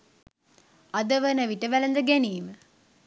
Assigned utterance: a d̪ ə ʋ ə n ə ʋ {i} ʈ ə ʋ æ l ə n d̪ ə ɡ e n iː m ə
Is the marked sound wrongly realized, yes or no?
no